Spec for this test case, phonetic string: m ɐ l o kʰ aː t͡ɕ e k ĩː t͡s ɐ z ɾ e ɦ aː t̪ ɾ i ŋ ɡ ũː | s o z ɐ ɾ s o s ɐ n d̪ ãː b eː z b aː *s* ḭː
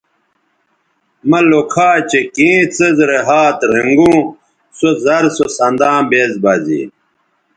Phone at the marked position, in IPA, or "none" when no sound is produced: z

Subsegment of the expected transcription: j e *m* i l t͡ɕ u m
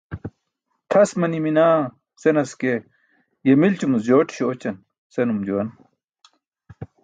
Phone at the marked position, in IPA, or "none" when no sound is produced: m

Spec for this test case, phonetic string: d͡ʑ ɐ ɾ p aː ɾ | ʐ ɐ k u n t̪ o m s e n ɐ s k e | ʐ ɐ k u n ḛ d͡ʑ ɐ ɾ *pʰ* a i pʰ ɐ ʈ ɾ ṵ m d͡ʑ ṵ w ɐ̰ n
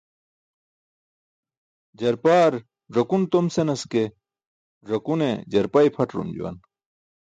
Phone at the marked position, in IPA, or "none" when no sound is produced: p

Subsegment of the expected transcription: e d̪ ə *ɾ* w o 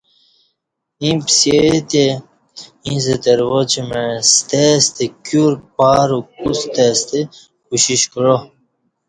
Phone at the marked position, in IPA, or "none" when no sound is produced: ɾ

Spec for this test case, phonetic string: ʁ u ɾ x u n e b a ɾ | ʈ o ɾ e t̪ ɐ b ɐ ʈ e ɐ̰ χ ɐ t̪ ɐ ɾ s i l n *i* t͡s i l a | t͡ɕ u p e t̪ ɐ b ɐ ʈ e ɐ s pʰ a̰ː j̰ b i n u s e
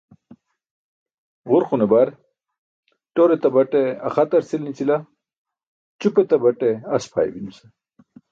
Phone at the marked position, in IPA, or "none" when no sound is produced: i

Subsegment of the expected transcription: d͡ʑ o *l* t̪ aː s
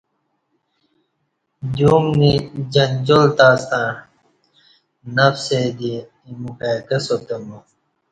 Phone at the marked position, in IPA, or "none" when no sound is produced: l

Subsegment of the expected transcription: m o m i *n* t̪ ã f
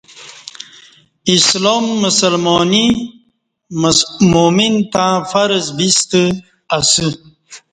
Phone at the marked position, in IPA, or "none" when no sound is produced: n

